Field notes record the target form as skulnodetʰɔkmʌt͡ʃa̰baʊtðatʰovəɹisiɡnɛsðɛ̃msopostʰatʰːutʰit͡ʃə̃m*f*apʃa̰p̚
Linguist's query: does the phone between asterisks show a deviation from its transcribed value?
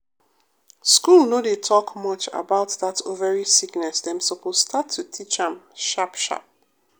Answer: yes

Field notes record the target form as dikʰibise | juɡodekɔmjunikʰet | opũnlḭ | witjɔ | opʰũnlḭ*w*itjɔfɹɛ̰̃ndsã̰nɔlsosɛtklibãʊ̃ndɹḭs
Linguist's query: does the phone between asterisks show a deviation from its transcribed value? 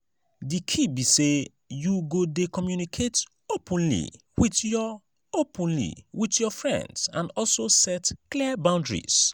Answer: no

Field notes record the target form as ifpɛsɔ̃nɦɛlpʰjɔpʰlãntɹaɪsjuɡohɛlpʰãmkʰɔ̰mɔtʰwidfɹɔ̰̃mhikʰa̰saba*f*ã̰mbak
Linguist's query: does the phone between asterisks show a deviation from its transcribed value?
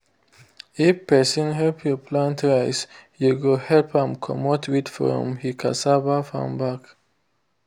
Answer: no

